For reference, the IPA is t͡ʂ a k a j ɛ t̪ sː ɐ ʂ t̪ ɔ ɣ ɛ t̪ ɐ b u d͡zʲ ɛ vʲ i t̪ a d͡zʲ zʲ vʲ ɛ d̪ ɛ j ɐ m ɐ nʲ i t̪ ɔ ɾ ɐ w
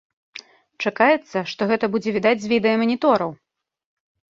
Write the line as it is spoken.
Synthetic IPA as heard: t͡ʂ a k a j ɛ t̪ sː ɐ ʂ t̪ ɔ ɣ ɛ t̪ ɐ b u d͡zʲ ɛ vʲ i d̪ a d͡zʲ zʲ vʲ i d̪ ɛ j ɐ m ɐ nʲ i t̪ ɔ ɾ ɐ w